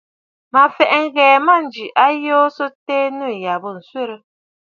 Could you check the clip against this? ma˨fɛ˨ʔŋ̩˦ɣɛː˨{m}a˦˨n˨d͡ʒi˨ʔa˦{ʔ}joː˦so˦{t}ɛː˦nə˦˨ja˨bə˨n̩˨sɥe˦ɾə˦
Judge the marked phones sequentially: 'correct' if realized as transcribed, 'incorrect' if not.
correct, incorrect, correct

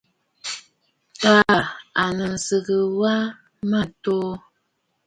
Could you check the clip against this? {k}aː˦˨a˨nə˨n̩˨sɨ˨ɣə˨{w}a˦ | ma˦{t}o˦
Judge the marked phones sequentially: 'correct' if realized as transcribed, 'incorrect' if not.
incorrect, correct, correct

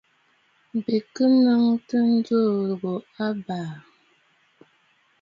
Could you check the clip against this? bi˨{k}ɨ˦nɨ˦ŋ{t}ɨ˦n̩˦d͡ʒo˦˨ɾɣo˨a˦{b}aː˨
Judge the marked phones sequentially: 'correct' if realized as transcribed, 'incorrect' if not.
correct, correct, correct

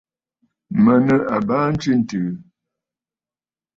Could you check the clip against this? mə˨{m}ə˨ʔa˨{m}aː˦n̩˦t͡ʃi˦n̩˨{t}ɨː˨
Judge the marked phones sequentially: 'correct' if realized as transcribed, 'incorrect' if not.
incorrect, incorrect, correct

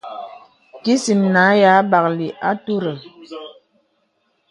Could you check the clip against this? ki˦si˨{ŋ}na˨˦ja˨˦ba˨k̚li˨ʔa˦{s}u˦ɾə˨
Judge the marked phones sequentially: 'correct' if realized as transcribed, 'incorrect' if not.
incorrect, incorrect

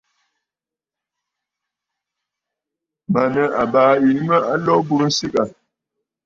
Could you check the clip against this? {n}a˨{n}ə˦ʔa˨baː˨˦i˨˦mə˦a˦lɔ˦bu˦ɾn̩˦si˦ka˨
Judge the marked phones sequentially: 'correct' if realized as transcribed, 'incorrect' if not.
incorrect, correct

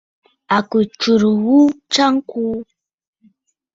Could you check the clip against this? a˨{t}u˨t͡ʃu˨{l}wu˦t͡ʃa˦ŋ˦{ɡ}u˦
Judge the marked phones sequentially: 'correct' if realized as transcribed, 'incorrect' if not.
incorrect, incorrect, incorrect

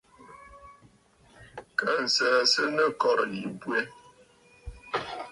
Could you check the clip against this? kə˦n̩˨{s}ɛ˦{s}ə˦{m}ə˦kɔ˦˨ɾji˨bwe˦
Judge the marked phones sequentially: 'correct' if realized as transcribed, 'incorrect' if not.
correct, correct, incorrect

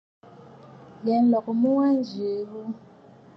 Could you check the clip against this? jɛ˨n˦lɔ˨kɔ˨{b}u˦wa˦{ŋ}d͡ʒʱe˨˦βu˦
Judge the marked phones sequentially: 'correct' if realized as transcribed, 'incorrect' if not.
incorrect, incorrect

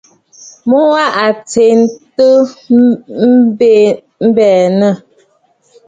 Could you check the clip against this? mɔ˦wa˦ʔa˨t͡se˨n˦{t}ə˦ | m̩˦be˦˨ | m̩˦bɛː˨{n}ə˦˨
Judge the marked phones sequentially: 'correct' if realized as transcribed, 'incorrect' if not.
correct, correct

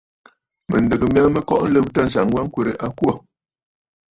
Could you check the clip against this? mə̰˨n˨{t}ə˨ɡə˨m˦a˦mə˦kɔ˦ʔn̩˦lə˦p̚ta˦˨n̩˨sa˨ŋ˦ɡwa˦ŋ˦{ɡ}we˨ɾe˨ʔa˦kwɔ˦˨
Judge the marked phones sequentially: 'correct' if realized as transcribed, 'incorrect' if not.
incorrect, incorrect

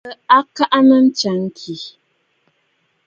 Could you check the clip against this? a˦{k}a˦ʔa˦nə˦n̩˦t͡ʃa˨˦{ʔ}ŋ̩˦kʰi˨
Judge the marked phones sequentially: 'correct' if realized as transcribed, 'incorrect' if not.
correct, incorrect

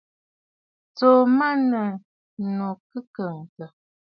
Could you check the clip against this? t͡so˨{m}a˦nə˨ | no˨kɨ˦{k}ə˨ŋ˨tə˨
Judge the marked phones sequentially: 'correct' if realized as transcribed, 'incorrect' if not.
correct, correct

